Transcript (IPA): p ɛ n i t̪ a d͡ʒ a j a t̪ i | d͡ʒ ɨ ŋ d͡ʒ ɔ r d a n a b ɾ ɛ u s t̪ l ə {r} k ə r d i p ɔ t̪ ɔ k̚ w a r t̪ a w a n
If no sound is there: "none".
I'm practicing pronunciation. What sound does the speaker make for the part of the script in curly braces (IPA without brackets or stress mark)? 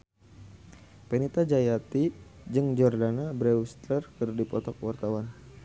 r